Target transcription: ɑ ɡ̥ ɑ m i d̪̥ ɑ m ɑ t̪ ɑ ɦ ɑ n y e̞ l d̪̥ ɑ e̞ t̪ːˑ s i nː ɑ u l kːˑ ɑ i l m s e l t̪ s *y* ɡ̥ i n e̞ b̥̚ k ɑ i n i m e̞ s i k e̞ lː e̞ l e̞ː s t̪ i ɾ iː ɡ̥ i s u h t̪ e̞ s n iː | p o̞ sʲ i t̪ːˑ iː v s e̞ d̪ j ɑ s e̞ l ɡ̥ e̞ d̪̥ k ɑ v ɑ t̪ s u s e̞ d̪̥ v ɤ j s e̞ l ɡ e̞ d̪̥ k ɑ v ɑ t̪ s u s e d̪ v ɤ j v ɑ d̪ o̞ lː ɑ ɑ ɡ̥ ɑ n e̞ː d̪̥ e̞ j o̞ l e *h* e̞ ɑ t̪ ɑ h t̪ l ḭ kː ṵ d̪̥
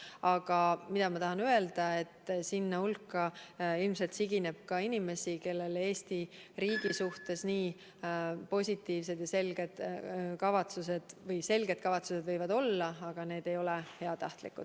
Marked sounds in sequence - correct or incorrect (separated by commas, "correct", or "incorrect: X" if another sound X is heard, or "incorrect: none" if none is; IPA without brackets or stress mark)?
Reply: incorrect: i, correct